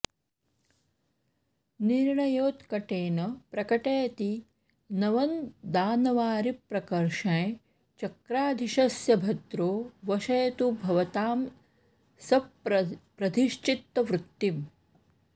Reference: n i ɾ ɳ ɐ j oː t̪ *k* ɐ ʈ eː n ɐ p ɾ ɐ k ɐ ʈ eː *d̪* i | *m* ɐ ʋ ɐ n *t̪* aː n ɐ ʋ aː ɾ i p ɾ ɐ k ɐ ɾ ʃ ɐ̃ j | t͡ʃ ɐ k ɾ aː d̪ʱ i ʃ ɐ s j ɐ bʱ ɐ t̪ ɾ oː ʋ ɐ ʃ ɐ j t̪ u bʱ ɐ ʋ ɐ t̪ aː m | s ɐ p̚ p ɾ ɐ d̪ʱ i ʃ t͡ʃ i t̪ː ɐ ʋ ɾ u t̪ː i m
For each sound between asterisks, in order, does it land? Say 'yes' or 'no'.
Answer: yes, no, no, no

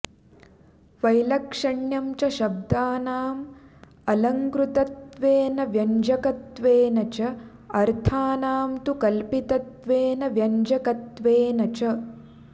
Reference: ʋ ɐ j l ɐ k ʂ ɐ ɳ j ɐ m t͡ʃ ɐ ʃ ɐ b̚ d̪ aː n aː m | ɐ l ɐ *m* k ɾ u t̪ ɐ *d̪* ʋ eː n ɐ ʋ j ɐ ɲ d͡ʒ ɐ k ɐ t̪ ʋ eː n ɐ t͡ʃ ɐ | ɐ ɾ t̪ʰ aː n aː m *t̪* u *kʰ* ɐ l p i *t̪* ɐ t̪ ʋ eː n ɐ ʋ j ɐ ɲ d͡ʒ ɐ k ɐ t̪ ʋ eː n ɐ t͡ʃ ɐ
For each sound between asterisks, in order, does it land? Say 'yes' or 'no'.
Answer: no, no, yes, no, yes

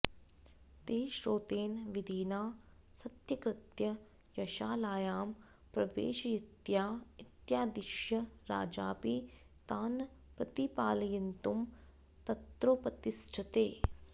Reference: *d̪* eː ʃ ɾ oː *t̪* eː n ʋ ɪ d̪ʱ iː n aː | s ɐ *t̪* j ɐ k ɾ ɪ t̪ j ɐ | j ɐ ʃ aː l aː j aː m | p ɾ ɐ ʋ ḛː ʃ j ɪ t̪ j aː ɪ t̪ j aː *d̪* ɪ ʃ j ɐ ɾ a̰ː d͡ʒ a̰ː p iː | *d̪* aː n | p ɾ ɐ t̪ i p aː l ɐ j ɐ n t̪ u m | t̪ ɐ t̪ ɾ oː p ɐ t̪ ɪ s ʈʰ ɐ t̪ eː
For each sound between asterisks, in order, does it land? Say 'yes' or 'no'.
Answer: no, yes, yes, yes, no

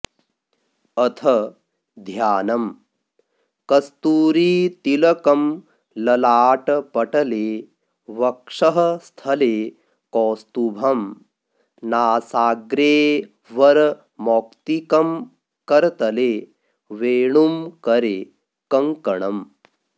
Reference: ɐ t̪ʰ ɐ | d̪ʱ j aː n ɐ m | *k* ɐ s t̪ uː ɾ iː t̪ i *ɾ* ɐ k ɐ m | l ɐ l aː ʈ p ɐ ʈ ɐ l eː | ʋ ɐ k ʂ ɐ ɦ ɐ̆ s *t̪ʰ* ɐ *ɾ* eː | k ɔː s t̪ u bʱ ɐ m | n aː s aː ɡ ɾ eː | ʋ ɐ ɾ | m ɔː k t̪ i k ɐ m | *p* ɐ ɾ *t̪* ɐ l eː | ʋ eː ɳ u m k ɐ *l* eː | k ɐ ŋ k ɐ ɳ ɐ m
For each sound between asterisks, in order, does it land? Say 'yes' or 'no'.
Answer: yes, no, yes, no, no, yes, no

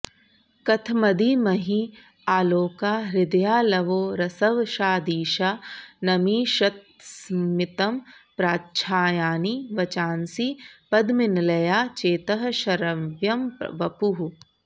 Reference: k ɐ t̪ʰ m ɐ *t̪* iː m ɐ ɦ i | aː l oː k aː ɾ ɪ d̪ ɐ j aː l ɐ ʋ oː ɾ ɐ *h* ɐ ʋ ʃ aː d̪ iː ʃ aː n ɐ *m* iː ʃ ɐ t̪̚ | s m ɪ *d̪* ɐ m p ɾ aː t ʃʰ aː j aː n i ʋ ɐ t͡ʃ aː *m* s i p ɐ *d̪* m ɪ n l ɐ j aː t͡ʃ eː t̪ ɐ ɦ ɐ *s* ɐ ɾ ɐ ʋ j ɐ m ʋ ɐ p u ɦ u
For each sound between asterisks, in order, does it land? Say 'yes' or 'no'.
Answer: no, no, yes, no, no, yes, no

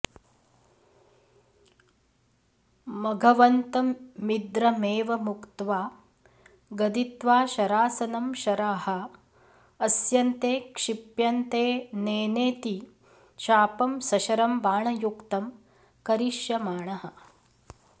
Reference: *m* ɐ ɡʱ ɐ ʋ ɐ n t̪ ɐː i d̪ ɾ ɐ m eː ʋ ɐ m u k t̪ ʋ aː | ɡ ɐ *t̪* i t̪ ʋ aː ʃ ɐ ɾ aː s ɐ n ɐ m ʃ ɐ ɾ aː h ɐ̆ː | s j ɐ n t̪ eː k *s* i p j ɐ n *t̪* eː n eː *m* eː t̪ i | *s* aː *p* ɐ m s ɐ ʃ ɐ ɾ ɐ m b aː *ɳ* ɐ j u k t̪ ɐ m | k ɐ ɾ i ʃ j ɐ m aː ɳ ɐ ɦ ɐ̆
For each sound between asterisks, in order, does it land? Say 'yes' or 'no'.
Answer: yes, no, no, yes, no, no, yes, yes

